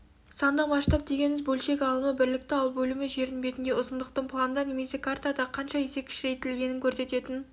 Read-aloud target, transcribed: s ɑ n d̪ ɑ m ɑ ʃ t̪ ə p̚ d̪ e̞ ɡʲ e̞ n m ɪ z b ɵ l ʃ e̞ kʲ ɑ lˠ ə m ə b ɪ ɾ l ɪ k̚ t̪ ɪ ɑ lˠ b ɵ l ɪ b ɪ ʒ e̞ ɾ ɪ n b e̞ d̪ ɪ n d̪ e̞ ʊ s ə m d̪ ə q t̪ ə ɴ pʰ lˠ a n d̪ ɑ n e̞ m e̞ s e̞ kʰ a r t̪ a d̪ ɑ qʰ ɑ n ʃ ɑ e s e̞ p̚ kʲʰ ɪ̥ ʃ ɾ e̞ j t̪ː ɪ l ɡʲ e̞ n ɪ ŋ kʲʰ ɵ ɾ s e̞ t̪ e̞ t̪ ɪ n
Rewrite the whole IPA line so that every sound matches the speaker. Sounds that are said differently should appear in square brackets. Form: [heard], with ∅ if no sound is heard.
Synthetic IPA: s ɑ n d̪ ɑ m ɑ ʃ t̪ [ɑ] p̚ d̪ e̞ ɡʲ e̞ n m ɪ z b ɵ l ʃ e̞ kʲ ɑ lˠ ə m ə b ɪ ɾ l ɪ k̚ t̪ ɪ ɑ lˠ b ɵ l ɪ [m] ɪ ʒ e̞ ɾ ɪ n b e̞ [t̪] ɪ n d̪ e̞ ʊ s ə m d̪ ə q t̪ ə ɴ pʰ lˠ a n d̪ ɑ n e̞ m e̞ s e̞ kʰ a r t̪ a d̪ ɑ qʰ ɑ n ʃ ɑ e s e̞ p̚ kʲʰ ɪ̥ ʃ ɾ e̞ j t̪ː ɪ l ɡʲ e̞ n ɪ ŋ kʲʰ ɵ ɾ s e̞ t̪ e̞ t̪ ɪ n